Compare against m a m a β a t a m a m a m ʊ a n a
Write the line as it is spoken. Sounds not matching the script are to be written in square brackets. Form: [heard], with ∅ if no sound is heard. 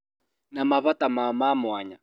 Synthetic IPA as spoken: [n] a m a β a t a m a m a m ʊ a [ɲ] a